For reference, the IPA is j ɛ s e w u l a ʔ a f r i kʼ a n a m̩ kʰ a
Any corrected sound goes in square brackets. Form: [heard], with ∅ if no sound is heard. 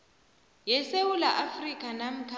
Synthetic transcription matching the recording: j ɛ s e w u l a ʔ a f r i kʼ a n a m̩ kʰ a

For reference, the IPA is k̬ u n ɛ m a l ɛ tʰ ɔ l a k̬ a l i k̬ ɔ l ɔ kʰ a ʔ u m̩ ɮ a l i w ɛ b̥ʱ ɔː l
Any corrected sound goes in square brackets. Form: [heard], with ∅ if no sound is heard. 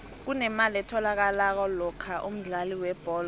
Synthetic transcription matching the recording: k̬ u n ɛ m a l ɛ tʰ ɔ l a k̬ a l [a] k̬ ɔ l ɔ kʰ a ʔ u m̩ ɮ a l i w ɛ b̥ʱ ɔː l

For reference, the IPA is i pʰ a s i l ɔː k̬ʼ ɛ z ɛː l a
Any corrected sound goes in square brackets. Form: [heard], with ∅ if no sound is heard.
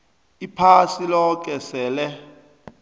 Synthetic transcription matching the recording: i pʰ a s i l [ɔ] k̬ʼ ɛ [s] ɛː l [ɛ]

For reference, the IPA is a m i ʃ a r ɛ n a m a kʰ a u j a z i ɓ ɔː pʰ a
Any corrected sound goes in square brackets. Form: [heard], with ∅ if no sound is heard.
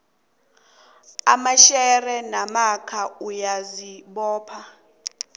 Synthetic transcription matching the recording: a m [a] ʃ [ɛ] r ɛ n a m a kʰ a u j a z i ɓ ɔː pʰ a

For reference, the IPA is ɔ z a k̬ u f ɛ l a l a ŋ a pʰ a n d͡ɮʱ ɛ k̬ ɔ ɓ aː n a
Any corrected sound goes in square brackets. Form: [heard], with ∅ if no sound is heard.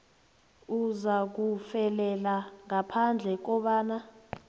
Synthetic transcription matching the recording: [u] z a k̬ u f ɛ l [ɛ] l a ŋ a pʰ a n d͡ɮʱ ɛ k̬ ɔ ɓ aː n a

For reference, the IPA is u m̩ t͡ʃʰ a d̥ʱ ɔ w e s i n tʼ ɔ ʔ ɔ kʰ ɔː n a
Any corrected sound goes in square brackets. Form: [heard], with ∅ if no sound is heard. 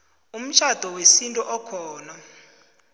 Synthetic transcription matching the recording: u m̩ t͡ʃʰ a d̥ʱ ɔ w e s i n tʼ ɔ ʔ ɔ kʰ ɔː n a

